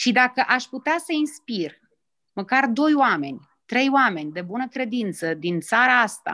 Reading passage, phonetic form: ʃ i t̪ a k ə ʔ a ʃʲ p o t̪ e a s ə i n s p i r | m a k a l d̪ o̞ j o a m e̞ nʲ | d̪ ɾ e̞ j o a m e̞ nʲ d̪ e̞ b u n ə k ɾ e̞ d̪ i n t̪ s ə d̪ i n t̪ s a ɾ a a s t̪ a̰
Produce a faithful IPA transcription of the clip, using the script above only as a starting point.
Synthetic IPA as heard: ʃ i d̪ a k ə ʔ a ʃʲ p u t̪ e a s ə i n s p i r | m ə k a r d̪ o̞ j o a m e̞ nʲ | t̪ ɾ e̞ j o a m e̞ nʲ d̪ e̞ b u n ə k ɾ e̞ d̪ i n t̪ s ə d̪ i n t̪ s a ɾ a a s t̪ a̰